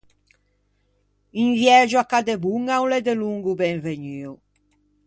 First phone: i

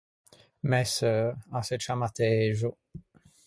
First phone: m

